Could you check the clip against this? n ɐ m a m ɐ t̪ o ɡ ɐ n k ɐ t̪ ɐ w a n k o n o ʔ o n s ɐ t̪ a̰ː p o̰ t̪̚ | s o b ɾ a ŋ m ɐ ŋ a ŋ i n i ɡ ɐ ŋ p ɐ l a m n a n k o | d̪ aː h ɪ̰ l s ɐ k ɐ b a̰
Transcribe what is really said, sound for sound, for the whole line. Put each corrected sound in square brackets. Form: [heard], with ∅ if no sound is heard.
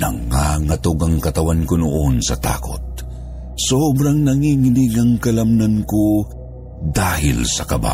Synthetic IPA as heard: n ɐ [ŋ] a [ŋ] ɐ t̪ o ɡ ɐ [ŋ] k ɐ t̪ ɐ w a n k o n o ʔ o n s ɐ t̪ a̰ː [k] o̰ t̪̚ | s o b ɾ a ŋ [n] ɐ ŋ [i] ŋ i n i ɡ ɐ ŋ [k] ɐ l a m n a n k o | d̪ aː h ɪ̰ l s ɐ k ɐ b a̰